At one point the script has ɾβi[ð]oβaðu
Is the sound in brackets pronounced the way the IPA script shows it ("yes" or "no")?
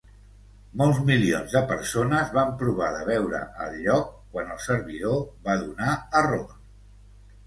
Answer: yes